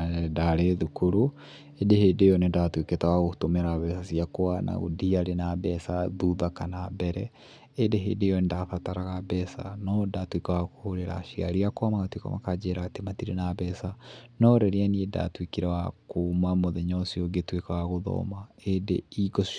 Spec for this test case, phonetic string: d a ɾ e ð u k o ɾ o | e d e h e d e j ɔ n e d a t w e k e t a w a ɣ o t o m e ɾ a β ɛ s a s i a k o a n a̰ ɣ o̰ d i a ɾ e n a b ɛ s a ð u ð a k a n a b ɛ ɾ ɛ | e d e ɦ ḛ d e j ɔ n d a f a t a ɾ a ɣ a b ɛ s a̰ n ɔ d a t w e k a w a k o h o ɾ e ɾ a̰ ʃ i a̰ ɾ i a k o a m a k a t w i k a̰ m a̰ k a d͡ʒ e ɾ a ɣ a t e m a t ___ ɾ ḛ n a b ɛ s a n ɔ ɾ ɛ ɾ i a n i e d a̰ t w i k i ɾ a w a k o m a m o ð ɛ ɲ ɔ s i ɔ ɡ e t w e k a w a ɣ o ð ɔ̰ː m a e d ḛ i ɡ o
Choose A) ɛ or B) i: B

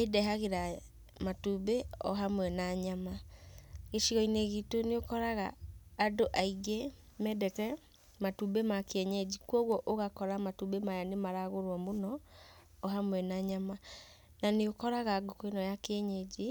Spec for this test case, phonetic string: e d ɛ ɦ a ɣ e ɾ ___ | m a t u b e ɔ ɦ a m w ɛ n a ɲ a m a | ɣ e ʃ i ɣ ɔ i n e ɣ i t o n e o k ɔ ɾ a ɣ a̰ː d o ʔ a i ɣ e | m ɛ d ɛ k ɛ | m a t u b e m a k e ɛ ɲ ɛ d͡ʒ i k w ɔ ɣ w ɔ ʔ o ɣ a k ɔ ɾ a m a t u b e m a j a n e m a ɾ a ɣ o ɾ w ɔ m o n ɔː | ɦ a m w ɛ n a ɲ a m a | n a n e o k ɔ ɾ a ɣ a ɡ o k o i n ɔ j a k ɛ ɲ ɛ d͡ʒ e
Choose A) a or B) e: A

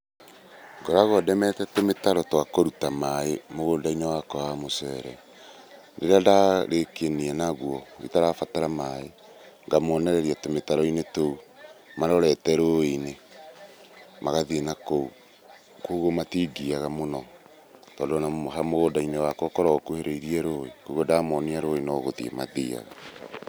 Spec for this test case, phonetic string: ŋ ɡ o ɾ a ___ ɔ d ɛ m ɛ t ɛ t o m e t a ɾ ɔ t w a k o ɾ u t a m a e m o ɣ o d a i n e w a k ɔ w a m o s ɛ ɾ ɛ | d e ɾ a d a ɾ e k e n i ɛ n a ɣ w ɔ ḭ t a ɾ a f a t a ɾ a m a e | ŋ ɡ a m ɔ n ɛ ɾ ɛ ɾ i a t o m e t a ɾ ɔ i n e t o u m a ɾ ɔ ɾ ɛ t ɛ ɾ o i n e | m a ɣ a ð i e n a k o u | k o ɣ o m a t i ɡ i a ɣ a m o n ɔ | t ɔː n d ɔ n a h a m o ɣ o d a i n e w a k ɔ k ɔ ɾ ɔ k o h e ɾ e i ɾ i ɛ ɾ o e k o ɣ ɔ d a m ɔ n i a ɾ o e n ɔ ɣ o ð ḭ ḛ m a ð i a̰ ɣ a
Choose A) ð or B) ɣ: B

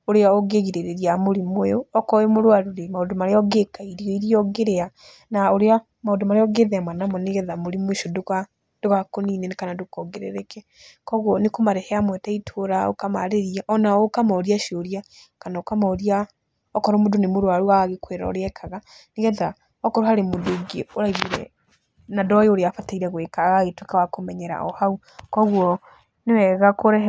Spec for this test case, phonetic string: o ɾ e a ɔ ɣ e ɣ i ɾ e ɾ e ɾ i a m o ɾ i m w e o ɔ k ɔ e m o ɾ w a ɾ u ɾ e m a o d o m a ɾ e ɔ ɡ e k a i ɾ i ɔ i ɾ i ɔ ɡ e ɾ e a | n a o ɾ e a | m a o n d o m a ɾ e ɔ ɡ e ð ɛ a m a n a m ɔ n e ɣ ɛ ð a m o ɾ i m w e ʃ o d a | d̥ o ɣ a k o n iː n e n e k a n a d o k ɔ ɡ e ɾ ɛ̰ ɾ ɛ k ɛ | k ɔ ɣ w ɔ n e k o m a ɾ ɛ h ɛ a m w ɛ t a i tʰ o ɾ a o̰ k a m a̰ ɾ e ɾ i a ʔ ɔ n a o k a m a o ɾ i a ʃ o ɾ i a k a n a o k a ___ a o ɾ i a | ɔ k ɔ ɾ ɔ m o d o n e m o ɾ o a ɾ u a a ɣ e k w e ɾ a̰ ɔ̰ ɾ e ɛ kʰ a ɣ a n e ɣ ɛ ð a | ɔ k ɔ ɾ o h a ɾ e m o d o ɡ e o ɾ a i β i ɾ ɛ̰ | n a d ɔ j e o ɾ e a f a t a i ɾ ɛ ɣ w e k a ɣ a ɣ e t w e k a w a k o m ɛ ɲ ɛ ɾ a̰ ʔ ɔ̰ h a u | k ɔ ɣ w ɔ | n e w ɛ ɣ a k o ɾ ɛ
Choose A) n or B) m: B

